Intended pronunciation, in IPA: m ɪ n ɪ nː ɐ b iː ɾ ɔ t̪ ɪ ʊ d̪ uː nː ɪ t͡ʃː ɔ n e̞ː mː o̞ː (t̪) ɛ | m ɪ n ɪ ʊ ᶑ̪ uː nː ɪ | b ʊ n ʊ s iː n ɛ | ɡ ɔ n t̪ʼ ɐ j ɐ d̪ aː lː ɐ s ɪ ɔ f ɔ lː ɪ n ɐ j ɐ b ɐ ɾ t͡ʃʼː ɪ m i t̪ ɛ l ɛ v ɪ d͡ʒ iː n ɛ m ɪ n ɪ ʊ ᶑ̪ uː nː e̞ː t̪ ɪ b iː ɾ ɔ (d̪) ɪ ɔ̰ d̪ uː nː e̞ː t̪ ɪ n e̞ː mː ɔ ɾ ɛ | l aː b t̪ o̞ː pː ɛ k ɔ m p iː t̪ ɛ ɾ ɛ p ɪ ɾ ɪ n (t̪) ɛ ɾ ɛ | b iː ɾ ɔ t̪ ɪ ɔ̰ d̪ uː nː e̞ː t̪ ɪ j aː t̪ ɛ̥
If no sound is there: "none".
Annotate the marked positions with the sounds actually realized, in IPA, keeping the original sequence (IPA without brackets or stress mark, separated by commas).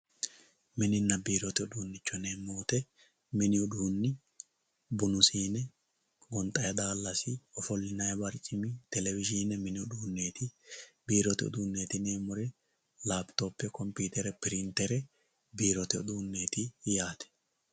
t̪, t̪, t̪